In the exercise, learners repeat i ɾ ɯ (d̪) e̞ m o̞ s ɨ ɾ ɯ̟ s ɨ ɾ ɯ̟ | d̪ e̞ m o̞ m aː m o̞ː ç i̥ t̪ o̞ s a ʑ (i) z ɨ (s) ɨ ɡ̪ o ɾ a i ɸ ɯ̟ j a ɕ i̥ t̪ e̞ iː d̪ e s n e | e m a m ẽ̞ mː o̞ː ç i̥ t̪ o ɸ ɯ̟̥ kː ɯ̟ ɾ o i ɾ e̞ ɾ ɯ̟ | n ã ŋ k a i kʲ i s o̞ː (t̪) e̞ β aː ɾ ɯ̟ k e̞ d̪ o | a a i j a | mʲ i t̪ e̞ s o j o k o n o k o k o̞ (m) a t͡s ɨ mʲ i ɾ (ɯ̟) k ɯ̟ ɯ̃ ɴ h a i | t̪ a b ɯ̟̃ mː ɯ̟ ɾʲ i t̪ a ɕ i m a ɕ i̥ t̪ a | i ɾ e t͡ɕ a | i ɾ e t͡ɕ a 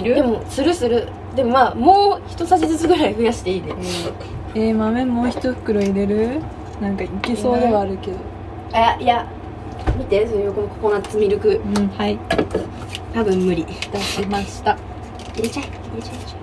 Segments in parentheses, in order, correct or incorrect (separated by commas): correct, correct, incorrect, incorrect, incorrect, correct